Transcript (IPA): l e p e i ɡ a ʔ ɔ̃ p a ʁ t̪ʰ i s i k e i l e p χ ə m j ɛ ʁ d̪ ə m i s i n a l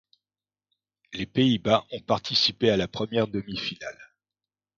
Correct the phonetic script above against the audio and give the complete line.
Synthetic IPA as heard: l e p e i b a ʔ ɔ̃ p a ʁ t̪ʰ i s i p e a l a p χ ə m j ɛ ʁ d̪ ə m i f i n a l